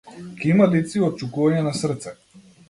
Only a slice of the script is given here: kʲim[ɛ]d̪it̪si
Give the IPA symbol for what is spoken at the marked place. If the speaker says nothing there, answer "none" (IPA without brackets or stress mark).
a